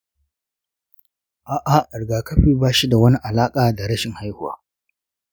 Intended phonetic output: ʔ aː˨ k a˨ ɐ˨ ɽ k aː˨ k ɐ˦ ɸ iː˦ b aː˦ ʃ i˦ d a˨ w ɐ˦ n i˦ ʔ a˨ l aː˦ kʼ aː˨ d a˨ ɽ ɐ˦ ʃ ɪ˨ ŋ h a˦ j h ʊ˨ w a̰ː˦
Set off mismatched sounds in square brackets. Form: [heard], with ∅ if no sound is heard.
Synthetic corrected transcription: ʔ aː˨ [ʔ] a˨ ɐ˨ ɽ [ɡ] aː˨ k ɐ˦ ɸ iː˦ b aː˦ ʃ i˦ d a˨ w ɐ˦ n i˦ ʔ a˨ l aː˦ kʼ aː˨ d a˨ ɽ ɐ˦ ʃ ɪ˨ ŋ h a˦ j h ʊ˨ w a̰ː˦